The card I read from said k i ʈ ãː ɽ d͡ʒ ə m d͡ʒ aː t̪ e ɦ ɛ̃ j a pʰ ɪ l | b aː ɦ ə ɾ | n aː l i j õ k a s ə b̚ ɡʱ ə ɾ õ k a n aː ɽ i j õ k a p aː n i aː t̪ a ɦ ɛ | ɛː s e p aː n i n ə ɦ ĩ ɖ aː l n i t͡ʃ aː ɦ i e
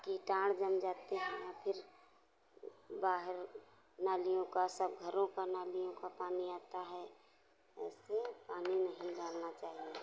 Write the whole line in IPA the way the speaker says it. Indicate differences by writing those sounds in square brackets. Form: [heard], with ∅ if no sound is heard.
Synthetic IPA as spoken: k i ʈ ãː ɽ d͡ʒ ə m d͡ʒ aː t̪ e ɦ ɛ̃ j a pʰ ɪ [ɾ] | b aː ɦ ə ɾ | n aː l i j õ k a s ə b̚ ɡʱ ə ɾ õ k a n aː [l] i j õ k a p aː n i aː t̪ a ɦ ɛ | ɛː s e p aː n i n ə ɦ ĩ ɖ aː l n [a] t͡ʃ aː ɦ i e